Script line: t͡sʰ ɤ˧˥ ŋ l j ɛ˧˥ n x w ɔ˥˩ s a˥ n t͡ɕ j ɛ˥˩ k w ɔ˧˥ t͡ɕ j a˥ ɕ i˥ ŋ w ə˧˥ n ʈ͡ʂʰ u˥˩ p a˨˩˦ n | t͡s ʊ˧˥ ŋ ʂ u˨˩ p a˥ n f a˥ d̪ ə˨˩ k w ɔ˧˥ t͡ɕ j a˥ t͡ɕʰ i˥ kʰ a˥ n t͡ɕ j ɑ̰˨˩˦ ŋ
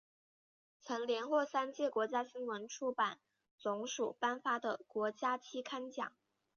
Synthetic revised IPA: t͡sʰ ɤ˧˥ ŋ l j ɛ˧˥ n x w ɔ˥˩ s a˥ n t͡ɕ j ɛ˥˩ k w ɔ˧˥ t͡ɕ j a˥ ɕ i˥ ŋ w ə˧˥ n ʈ͡ʂʰ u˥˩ p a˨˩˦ n | t͡s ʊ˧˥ ŋ ʂ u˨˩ p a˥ n f a˥ d̪ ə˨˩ k w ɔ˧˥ t͡ɕ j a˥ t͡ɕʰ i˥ kʰ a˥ n t͡ɕ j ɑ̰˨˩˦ ŋ